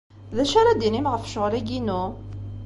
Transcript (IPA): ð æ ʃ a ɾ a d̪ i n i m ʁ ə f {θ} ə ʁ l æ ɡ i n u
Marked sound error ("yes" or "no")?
yes